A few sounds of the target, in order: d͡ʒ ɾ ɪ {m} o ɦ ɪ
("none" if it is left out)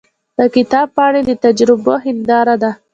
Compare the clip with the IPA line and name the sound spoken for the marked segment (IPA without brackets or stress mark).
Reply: b